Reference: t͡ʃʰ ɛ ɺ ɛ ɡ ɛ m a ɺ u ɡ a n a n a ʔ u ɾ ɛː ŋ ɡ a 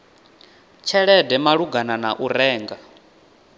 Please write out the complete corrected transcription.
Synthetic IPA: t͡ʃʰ ɛ ɺ ɛ d ɛ m a ɺ u ɡ a n a n a ʔ u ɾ ɛː ŋ ɡ a